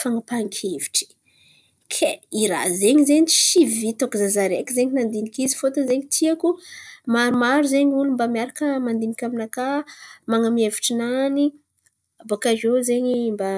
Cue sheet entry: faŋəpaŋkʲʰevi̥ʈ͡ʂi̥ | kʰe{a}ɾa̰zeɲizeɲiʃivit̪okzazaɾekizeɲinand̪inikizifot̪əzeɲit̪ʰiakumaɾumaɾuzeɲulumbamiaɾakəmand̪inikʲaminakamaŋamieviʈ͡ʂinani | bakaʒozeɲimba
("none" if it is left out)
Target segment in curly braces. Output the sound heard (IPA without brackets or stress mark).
i